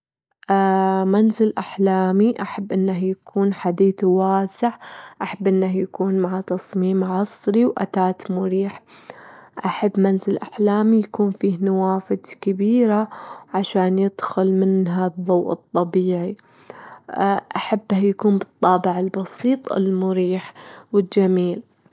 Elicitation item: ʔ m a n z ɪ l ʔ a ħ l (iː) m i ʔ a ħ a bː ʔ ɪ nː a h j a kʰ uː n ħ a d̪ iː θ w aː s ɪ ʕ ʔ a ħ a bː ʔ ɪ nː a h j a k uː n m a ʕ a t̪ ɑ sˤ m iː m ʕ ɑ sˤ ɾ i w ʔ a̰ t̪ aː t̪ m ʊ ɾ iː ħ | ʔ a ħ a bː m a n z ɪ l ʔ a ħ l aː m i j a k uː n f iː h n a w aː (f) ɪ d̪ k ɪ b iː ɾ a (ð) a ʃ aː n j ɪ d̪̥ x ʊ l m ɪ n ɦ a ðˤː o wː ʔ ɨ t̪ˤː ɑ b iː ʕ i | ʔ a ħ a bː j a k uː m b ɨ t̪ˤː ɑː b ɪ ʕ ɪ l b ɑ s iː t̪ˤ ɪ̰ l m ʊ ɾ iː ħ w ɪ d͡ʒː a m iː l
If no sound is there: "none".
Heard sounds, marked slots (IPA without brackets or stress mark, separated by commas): aː, f, ʕ